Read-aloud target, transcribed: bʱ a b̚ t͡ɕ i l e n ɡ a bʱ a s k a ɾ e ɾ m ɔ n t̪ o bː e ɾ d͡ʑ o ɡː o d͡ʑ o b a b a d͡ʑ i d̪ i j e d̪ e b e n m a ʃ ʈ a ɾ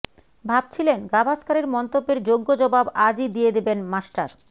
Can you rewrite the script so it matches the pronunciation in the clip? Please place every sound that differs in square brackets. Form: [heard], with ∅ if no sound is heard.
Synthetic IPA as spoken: bʱ a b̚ [t͡ɕʰ] i l e n ɡ a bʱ a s k a ɾ e ɾ m ɔ n t̪ o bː e ɾ d͡ʑ o ɡː o d͡ʑ [ɔ] b a b a d͡ʑ i d̪ i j e d̪ e b e n m a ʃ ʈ a ɾ